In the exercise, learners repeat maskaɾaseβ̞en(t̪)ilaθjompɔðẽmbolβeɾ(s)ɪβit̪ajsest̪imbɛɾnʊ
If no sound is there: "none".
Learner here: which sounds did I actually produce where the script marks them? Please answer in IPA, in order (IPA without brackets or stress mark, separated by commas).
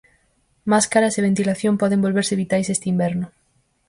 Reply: t̪, s